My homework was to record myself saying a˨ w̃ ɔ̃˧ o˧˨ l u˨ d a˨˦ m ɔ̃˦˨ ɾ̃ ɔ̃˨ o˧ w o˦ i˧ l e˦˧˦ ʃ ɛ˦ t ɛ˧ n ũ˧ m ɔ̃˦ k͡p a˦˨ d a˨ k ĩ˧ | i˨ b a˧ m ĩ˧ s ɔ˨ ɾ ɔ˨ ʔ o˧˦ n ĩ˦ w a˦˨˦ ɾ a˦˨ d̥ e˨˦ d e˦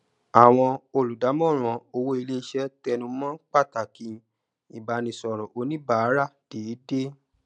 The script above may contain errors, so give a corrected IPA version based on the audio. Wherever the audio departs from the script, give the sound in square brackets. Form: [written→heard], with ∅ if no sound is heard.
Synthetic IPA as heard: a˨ w̃ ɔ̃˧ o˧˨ l u˨ d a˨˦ m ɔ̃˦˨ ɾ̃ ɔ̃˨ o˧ w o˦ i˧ l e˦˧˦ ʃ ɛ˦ t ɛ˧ n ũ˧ m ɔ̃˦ k͡p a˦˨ [d→t] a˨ k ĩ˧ | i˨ b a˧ [m→n] ĩ˧ s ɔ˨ ɾ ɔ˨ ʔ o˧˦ n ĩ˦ [w→b] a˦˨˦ ɾ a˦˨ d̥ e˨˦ d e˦